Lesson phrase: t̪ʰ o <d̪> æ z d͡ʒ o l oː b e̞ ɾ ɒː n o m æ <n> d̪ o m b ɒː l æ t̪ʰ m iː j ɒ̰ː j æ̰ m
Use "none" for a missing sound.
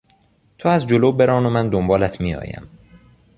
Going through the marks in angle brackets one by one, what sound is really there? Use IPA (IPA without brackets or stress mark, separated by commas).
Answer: none, n